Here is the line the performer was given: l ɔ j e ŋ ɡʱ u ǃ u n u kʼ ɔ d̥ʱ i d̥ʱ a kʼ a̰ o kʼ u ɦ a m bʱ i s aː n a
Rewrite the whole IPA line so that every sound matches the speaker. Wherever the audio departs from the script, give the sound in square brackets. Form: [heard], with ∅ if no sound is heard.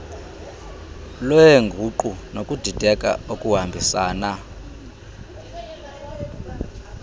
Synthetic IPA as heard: l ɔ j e ŋ ɡʱ u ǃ u n [o] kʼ [u] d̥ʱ i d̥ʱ [ɛ] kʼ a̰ o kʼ u ɦ a m bʱ i s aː n a